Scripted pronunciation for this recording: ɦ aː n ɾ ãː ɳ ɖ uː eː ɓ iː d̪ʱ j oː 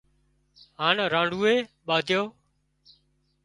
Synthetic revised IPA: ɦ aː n ɾ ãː ɳ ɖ uː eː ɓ aː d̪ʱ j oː